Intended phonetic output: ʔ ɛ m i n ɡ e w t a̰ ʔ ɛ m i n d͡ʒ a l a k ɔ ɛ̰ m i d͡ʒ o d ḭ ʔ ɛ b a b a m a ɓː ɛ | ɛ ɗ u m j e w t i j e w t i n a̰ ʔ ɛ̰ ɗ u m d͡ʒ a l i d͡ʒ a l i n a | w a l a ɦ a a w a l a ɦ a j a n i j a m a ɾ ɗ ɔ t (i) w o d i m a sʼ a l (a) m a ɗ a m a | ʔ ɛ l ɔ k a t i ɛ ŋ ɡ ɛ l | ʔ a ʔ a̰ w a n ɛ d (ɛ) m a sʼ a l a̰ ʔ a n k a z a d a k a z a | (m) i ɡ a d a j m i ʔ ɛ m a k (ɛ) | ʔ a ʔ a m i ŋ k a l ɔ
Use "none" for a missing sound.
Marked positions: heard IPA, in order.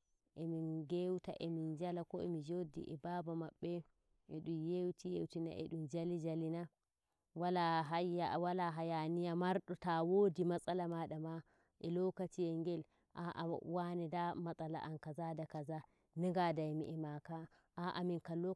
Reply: a, a, a, n, a

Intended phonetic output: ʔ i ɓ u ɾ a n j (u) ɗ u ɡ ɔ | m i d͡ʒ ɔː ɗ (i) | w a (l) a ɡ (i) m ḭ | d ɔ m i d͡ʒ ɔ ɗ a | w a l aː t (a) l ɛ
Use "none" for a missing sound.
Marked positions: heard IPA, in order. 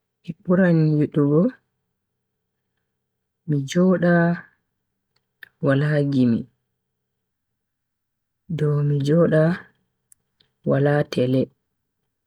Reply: u, a, l, i, ɛ

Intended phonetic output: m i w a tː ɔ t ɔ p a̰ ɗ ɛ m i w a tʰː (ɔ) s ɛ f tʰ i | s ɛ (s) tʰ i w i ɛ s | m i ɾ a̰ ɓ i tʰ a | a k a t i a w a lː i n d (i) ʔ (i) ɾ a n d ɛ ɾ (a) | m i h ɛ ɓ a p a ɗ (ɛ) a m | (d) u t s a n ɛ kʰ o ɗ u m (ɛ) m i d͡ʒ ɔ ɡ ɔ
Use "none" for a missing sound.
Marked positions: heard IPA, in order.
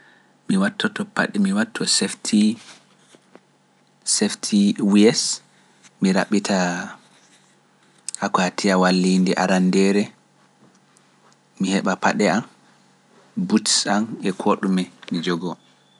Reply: ɔ, f, ɛ, a, ɛ, ɛ, b, ɛ

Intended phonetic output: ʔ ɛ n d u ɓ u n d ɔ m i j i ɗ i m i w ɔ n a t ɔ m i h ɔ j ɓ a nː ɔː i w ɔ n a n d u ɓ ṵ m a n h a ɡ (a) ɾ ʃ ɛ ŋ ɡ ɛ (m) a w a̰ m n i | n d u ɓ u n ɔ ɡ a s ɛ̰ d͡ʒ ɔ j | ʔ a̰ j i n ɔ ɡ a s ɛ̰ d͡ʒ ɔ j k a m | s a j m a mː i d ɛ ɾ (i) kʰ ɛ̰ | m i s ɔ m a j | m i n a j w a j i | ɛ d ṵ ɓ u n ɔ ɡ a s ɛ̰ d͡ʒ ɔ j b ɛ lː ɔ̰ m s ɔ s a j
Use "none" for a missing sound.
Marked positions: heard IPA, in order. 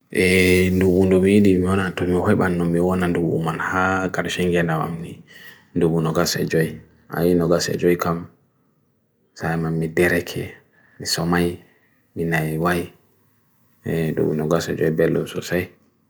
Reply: a, n, ɛ

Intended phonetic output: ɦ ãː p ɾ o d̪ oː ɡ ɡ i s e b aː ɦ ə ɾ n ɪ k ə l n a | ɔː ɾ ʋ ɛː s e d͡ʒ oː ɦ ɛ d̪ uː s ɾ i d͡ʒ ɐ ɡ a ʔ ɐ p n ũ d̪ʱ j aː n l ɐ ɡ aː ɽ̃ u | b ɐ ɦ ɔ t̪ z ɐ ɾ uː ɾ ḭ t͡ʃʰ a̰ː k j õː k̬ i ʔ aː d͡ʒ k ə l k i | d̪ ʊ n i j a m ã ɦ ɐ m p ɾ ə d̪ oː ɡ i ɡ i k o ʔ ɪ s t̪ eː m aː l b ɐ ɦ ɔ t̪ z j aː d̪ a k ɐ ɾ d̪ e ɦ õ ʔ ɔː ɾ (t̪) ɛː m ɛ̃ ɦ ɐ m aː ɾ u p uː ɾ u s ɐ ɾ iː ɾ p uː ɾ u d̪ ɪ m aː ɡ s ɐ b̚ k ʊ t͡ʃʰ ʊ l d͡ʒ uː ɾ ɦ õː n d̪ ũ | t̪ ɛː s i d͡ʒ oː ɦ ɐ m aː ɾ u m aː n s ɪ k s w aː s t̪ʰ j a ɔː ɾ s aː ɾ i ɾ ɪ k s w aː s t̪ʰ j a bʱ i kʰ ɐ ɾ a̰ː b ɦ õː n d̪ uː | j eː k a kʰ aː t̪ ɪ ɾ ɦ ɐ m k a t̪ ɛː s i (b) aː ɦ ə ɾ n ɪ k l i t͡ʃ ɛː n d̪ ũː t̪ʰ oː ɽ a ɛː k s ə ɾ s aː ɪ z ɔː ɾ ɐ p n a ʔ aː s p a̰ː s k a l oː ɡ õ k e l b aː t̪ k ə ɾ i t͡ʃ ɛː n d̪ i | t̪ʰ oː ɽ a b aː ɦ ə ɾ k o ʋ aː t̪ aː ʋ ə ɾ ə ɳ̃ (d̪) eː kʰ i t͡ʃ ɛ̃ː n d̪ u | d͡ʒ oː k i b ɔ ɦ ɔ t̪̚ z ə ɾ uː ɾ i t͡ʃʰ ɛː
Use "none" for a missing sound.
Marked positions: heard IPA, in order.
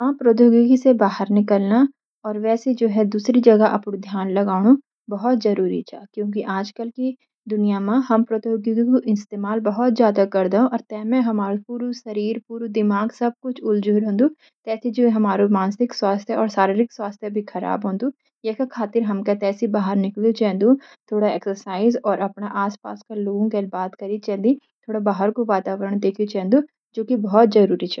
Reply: t̪, b, d̪

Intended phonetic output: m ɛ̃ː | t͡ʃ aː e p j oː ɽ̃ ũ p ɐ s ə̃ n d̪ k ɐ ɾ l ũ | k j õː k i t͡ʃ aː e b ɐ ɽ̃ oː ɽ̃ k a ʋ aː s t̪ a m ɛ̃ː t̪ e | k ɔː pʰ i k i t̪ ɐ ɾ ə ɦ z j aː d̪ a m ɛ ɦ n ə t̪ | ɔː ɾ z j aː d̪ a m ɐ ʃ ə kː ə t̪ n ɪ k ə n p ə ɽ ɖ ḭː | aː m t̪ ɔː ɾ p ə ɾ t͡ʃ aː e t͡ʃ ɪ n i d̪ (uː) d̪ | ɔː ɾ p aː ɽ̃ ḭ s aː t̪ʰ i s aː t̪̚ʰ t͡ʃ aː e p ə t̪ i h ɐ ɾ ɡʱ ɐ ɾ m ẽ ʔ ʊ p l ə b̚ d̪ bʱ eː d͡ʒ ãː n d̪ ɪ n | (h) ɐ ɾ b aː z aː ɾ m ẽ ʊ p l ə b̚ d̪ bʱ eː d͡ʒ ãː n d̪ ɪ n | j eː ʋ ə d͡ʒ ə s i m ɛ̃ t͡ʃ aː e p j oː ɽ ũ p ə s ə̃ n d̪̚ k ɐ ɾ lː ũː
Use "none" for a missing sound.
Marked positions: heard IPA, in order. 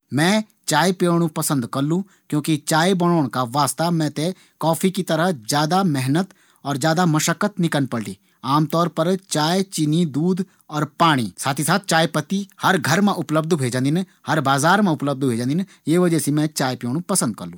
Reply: uː, h

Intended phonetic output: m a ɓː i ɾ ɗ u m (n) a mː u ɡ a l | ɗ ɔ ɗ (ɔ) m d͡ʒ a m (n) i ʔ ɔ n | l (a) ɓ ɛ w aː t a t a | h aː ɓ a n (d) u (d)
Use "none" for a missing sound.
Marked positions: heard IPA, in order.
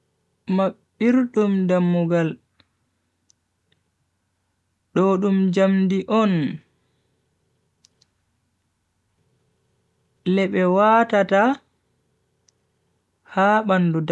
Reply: d, u, d, ɛ, d, d

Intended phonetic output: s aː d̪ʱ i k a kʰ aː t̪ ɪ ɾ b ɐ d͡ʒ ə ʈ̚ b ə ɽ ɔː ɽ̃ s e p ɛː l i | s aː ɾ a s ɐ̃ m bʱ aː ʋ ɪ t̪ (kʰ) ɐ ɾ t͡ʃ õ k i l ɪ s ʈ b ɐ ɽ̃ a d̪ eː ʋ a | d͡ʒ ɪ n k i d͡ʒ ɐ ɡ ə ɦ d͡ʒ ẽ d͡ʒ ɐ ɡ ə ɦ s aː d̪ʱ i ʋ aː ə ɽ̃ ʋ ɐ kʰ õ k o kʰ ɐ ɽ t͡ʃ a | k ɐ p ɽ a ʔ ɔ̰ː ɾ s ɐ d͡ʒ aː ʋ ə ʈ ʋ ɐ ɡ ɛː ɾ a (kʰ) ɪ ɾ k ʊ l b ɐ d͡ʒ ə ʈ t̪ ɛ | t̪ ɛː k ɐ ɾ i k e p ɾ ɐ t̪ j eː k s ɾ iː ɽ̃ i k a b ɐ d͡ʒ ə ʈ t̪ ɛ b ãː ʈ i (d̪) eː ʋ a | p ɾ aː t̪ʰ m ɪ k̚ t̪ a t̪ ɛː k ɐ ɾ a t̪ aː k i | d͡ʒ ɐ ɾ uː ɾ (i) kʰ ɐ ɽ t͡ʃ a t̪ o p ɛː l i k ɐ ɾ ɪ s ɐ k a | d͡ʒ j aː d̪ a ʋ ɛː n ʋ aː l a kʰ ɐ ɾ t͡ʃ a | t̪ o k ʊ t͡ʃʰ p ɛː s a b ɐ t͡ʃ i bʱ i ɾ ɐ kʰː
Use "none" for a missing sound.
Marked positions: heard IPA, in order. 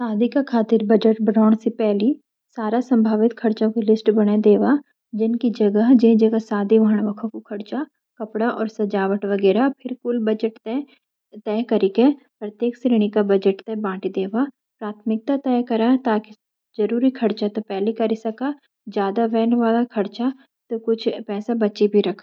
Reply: kʰ, pʰ, d̪, i

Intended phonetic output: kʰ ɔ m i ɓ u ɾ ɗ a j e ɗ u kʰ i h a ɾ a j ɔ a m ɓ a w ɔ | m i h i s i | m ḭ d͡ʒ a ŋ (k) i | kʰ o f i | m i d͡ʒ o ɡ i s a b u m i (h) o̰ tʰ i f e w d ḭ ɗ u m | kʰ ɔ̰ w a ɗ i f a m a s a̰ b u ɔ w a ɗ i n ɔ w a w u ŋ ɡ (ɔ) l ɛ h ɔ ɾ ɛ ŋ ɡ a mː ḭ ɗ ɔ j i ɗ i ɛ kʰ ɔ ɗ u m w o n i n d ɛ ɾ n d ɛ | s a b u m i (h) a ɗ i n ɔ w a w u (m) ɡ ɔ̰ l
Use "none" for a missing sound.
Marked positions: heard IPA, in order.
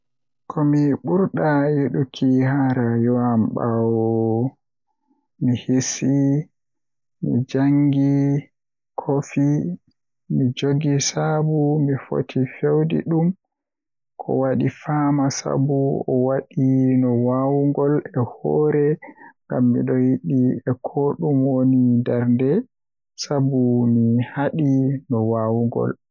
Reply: ɡ, f, ɔ, h, ŋ

